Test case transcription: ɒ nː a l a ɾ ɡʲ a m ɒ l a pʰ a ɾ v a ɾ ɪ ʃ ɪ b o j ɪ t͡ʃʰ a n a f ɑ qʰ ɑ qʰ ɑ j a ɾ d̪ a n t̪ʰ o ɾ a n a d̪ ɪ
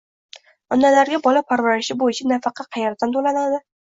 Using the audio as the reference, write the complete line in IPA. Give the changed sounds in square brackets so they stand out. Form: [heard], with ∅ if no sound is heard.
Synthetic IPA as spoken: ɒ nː a l a ɾ ɡʲ a [b] ɒ l a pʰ a ɾ v a ɾ ɪ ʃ ɪ b o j ɪ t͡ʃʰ a n a f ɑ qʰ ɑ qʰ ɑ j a ɾ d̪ a n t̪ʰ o [l] a n a d̪ ɪ